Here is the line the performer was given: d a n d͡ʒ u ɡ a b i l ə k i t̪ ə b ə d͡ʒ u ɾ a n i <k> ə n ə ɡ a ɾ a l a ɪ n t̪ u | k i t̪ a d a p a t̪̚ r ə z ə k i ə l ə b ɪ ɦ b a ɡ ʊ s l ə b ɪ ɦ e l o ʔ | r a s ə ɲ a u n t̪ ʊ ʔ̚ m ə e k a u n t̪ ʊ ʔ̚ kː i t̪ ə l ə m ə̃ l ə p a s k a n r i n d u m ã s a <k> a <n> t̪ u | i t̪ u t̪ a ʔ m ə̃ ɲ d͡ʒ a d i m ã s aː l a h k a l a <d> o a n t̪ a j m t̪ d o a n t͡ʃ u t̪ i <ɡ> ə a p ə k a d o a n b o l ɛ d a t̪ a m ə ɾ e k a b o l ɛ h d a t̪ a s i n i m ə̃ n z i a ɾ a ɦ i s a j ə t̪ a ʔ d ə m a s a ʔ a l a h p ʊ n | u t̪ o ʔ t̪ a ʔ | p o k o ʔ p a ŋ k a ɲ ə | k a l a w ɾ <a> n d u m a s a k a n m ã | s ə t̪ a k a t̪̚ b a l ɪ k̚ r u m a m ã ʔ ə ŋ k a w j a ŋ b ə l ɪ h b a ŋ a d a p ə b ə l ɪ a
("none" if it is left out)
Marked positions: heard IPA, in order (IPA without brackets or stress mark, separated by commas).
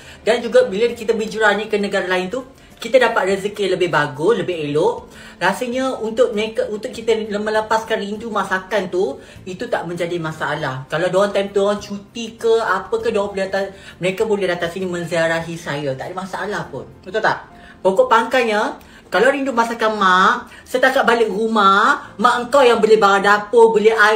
k, k, n, d, k, i